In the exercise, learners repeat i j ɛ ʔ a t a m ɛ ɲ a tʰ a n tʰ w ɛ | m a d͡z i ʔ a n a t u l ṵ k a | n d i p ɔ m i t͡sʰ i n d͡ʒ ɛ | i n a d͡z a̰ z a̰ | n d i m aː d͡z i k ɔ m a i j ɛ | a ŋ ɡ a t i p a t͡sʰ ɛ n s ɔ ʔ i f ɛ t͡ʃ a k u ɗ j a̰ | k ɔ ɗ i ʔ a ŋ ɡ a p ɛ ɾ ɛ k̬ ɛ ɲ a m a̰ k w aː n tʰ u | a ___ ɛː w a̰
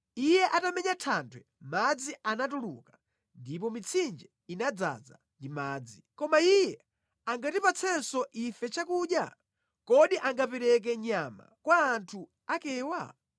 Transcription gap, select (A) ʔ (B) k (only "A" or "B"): B